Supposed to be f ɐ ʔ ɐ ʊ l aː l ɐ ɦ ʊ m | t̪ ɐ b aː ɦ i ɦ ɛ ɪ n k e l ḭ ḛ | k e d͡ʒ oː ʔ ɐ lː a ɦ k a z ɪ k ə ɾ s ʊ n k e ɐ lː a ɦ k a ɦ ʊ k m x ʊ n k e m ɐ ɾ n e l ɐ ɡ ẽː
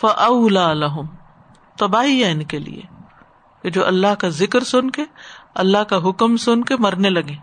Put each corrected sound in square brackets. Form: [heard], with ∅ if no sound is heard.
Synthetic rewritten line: f ɐ ʔ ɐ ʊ l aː l ɐ ɦ ʊ m | t̪ ɐ b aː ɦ i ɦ ɛ ɪ n k e l ḭ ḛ | k e d͡ʒ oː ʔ ɐ lː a ɦ k a z ɪ k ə ɾ s ʊ n k e ɐ lː a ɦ k a ɦ ʊ k m [s] ʊ n k e m ɐ ɾ n e l ɐ ɡ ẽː